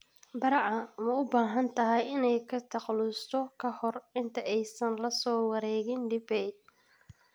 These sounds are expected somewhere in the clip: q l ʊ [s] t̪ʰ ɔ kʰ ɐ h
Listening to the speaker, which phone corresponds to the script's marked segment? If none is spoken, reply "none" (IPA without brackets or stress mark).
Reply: s